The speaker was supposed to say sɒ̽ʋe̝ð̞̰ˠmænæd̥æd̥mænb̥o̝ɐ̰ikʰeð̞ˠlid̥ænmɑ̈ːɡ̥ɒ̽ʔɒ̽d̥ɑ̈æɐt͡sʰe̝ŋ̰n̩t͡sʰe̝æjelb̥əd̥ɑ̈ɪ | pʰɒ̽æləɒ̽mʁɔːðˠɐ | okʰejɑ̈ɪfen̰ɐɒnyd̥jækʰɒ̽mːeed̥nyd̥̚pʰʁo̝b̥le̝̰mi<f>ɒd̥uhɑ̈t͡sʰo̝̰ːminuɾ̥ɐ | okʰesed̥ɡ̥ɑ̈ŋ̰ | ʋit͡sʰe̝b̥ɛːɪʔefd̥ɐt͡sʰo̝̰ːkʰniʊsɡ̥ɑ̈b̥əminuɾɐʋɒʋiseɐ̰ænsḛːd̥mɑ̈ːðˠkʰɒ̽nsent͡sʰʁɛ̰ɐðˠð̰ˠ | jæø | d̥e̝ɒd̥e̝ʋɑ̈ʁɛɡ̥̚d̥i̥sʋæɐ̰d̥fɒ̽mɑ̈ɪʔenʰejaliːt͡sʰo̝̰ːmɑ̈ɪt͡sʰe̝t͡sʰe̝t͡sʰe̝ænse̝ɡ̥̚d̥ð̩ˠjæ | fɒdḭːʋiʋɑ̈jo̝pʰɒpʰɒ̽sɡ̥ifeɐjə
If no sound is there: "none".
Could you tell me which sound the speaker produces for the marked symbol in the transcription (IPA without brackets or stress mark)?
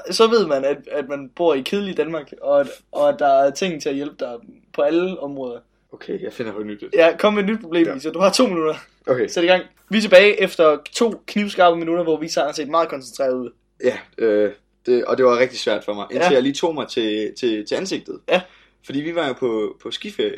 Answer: s